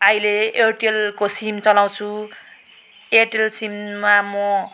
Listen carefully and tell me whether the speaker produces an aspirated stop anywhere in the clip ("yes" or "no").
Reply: yes